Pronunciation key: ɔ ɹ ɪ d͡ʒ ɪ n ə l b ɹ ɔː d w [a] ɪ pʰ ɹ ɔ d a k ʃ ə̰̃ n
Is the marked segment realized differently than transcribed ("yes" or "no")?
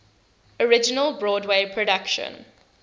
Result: yes